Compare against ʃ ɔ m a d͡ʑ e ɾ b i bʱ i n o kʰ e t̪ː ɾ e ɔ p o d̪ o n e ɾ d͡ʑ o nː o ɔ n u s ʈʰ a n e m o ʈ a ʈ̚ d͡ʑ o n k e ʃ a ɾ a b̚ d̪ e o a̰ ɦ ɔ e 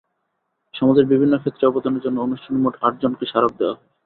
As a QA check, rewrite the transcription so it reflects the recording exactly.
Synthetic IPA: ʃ ɔ m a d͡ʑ e ɾ b i bʱ i nː o kʰ e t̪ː ɾ e ɔ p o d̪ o n e ɾ d͡ʑ o nː o o n u ʃ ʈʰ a n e m o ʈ a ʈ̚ d͡ʑ o n k e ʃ a ɾ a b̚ d̪ e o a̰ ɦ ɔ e